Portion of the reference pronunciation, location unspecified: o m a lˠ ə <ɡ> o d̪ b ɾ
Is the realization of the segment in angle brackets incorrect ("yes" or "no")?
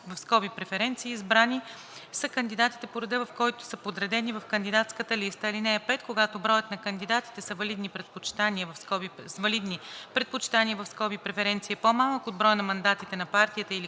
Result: yes